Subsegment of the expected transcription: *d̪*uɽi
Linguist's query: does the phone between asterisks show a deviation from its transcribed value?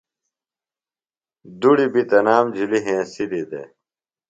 no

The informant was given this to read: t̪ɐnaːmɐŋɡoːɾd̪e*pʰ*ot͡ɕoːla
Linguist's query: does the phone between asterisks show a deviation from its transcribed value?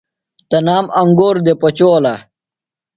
yes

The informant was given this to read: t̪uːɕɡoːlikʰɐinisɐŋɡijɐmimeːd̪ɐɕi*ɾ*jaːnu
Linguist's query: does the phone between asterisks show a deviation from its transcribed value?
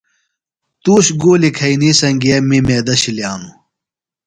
yes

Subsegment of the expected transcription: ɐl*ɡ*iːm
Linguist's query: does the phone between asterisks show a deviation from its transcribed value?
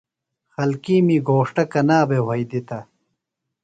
yes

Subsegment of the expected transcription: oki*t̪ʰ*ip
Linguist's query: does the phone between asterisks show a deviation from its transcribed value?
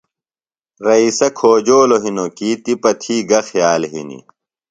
yes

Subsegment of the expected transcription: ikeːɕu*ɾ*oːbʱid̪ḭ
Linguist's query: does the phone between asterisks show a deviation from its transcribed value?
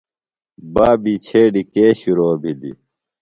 no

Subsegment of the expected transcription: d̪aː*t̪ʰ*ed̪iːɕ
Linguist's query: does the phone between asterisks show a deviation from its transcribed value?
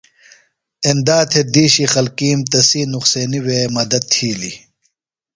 no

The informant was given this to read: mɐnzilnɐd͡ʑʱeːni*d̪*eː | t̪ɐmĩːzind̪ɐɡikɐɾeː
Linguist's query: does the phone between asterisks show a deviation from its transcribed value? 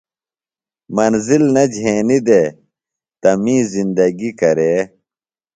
no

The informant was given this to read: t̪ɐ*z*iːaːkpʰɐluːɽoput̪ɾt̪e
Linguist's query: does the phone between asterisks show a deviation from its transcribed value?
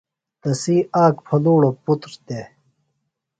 yes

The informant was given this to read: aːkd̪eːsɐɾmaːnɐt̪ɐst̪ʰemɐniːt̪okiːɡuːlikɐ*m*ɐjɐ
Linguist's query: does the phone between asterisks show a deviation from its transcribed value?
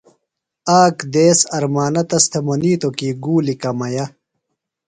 no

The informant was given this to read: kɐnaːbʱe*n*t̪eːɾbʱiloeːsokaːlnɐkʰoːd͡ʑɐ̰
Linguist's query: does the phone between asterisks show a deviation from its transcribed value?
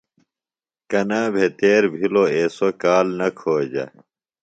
yes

